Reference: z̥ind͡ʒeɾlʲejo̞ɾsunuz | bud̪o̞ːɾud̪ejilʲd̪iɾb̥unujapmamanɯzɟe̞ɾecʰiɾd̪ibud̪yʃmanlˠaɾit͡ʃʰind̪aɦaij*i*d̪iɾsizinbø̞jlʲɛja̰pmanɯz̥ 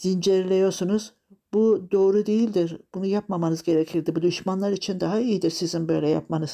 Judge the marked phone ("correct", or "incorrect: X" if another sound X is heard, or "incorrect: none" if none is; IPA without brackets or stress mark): correct